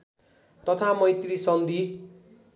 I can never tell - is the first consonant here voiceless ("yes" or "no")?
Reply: yes